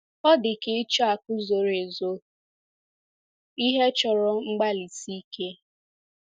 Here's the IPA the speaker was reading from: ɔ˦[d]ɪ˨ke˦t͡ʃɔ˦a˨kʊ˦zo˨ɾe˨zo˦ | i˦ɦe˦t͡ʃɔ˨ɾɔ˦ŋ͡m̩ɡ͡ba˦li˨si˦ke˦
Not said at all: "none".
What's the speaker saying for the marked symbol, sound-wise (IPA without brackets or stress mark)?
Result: d